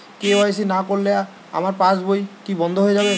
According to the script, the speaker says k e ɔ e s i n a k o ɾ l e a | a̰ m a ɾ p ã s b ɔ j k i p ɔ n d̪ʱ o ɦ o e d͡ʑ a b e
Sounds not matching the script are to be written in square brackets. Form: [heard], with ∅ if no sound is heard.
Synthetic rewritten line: k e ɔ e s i n a k o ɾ l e a | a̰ m a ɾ p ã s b [o] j k i [b] ɔ n d̪ʱ o ɦ o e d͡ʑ a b e